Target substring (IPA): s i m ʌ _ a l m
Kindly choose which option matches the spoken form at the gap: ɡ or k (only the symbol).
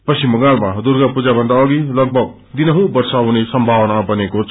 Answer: ɡ